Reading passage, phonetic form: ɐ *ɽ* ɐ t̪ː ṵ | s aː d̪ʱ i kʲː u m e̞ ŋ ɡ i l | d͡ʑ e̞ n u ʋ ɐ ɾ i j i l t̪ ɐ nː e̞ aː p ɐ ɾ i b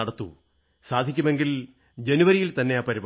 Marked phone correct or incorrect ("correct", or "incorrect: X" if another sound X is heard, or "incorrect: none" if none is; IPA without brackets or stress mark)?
correct